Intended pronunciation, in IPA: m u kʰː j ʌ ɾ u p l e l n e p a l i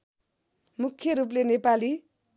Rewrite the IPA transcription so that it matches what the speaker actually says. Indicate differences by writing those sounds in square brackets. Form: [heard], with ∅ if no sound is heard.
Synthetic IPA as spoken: m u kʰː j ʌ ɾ u p l e [∅] n e p a l i